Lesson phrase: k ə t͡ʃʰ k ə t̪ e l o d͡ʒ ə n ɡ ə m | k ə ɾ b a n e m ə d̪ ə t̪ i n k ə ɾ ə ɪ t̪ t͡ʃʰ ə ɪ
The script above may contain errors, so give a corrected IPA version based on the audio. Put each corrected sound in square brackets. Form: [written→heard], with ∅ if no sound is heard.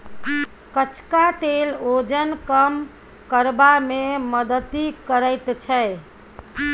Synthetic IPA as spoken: k ə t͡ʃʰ k [ə→a] t̪ e l o d͡ʒ ə n [ɡ→k] ə m | k ə ɾ b a [n→m] e m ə d̪ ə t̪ i [n→∅] k ə ɾ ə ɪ t̪ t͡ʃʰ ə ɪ